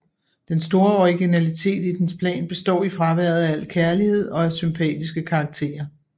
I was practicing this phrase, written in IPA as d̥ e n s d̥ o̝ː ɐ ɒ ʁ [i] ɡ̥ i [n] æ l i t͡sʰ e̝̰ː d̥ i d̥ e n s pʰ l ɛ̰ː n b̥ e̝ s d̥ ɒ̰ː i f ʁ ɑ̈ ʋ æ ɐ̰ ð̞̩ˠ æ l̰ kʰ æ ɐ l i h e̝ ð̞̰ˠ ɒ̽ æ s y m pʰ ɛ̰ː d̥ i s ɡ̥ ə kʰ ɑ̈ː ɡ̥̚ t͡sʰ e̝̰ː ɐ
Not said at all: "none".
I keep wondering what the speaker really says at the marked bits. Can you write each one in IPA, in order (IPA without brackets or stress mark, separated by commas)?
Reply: i, n